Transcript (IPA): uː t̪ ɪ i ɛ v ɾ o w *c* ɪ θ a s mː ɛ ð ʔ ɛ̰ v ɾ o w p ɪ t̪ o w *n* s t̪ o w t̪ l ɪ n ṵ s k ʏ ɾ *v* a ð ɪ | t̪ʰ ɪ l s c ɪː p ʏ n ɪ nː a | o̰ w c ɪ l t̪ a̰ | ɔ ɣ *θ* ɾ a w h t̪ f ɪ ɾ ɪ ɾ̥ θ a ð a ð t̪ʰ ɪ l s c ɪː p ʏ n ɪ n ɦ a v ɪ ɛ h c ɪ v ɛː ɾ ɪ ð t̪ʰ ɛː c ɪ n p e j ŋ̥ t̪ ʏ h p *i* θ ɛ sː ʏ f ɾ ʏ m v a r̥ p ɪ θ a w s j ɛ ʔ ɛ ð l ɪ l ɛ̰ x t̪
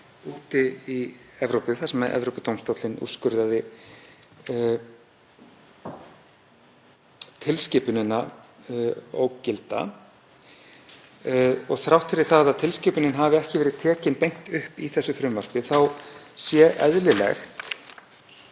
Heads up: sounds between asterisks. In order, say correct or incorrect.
incorrect: p, incorrect: m, incorrect: ð, correct, correct

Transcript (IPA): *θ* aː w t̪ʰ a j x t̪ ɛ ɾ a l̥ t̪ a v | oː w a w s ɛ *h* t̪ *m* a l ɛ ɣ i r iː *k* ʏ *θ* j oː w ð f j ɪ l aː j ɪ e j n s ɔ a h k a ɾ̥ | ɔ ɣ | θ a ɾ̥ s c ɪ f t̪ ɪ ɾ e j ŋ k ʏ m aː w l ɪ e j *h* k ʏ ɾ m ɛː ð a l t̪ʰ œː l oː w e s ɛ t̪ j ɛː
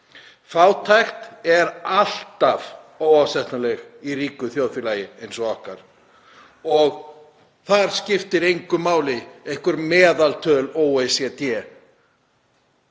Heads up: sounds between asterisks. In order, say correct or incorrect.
incorrect: f, correct, incorrect: n, correct, correct, correct

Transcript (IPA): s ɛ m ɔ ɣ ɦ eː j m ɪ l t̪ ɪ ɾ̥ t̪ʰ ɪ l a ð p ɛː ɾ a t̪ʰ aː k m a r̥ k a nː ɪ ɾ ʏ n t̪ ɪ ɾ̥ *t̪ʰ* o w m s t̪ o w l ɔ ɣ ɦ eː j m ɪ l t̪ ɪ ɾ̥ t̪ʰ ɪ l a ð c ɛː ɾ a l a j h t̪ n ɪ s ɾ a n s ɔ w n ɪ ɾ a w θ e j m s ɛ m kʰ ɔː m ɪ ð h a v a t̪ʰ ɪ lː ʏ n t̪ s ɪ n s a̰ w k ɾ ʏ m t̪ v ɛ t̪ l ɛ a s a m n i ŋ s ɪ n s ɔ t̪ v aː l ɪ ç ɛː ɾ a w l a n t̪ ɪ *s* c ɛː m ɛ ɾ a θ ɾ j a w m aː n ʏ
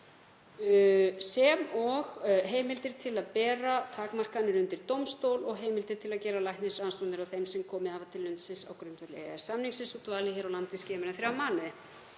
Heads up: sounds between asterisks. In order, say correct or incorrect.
incorrect: t̪, correct

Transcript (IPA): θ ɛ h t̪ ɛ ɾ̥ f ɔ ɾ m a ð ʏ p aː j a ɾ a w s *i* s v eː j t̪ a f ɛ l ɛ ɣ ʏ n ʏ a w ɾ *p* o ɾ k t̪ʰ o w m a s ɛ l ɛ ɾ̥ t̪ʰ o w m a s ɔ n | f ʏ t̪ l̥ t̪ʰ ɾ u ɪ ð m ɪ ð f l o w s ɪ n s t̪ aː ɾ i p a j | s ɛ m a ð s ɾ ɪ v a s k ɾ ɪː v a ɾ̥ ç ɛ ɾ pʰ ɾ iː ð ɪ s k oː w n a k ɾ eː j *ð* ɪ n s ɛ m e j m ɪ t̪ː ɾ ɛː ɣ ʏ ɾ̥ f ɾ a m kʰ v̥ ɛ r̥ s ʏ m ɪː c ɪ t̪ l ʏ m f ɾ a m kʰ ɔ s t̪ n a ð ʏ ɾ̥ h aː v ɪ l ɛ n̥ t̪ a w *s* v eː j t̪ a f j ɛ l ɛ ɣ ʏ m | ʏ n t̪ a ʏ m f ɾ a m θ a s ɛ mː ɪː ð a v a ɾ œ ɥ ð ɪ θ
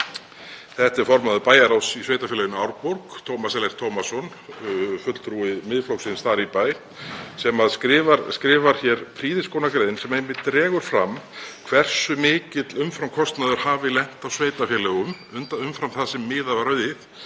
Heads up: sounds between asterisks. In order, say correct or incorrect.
correct, correct, correct, correct

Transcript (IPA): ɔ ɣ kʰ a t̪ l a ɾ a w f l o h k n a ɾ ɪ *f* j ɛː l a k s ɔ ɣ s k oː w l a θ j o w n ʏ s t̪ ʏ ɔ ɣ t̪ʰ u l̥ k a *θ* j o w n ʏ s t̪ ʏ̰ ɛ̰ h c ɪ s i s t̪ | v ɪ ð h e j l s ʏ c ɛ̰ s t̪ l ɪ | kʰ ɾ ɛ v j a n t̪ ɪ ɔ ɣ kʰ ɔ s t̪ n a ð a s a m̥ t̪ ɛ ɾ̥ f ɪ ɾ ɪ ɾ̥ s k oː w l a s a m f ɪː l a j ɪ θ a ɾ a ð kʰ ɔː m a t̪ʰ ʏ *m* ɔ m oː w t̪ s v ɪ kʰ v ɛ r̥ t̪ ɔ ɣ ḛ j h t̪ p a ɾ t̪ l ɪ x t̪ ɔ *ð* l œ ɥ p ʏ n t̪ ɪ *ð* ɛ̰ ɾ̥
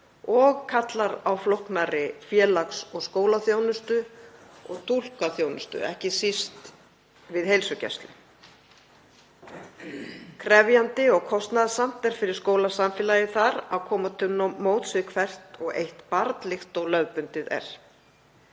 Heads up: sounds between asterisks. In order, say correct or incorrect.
correct, correct, incorrect: n, incorrect: ɣ, correct

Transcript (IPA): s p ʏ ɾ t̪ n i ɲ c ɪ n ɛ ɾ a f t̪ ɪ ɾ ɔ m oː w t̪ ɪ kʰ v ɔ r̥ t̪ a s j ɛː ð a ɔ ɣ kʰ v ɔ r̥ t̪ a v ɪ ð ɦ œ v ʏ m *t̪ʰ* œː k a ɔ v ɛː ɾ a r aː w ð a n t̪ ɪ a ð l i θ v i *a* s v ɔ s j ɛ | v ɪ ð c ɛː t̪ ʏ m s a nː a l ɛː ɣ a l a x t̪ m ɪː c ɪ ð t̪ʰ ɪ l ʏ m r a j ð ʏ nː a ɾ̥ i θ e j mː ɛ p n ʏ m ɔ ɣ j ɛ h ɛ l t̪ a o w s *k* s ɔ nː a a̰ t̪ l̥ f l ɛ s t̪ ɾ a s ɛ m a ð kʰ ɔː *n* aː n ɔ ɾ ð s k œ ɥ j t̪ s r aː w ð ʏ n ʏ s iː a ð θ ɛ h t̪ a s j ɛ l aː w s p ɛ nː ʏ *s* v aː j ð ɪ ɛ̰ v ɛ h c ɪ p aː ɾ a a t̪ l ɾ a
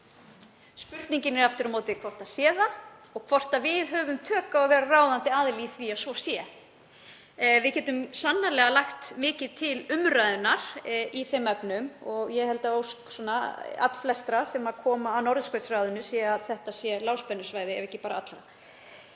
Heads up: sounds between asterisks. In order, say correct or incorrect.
correct, correct, correct, incorrect: m, correct

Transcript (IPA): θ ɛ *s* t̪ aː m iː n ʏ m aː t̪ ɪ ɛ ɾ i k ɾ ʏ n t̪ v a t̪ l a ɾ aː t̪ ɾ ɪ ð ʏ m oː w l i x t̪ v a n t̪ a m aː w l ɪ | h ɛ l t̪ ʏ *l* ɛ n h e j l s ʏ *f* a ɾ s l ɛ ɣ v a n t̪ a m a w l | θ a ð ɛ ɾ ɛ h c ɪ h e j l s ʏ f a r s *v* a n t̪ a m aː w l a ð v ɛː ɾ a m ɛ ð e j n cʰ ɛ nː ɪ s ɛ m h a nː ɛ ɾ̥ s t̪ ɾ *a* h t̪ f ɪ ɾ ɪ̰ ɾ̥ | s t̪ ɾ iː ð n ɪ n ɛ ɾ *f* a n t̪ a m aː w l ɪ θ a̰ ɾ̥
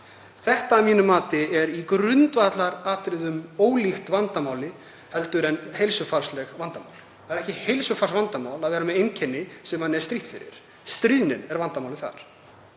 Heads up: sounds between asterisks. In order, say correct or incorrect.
incorrect: h, incorrect: ɾ, correct, correct, incorrect: i, incorrect: v

